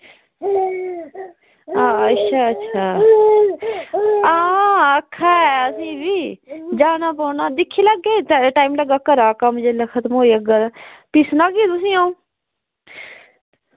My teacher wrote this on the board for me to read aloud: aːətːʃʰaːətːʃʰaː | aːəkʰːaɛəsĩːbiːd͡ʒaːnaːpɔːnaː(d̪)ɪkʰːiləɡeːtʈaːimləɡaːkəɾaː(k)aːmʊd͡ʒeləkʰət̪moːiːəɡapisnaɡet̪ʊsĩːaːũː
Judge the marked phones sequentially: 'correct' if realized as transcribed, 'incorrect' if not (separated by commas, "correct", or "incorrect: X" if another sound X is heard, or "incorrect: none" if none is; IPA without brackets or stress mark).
correct, correct